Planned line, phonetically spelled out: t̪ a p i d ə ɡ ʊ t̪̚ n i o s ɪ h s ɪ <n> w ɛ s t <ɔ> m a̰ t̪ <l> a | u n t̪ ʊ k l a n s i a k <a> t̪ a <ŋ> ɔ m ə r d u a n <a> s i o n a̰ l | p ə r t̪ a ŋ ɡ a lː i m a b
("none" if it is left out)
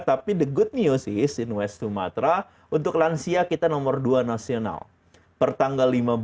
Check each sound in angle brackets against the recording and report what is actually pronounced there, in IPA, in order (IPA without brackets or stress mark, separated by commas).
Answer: n, u, ɾ, i, n, a